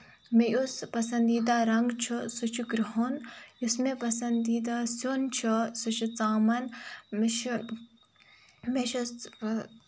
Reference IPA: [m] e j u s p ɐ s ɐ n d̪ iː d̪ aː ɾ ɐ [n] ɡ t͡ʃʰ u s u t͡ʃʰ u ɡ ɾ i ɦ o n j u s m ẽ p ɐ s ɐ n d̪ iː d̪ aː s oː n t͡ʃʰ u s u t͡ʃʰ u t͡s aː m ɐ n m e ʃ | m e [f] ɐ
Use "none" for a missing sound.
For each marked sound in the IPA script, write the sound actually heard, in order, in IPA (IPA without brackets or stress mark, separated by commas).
m, ŋ, ʃ